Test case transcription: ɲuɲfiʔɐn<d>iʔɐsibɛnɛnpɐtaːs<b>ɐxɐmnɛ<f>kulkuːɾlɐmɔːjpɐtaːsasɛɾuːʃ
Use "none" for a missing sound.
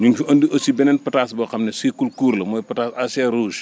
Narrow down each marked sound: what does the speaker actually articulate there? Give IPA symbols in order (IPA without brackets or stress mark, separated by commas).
d, b, s